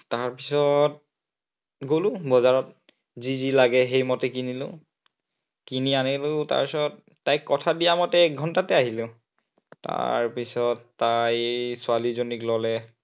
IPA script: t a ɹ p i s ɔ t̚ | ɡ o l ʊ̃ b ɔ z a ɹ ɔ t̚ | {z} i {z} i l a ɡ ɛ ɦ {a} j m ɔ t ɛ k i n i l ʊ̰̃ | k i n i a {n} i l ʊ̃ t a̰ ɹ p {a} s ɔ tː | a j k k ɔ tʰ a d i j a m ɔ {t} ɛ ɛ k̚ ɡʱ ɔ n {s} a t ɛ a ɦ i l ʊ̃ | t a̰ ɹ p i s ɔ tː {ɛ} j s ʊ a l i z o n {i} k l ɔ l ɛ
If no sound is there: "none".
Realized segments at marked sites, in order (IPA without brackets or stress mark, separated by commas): z, z, e, n, i, t, t, a, i